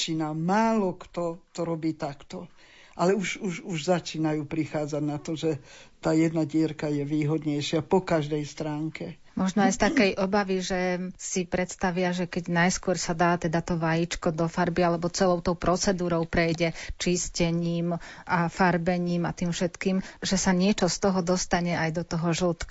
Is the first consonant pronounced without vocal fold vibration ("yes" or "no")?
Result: yes